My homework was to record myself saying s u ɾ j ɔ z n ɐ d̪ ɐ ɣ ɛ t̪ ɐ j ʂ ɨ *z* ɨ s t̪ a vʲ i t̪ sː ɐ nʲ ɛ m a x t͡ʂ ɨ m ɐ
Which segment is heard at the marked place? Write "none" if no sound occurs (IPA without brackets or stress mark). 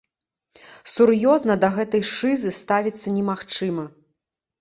z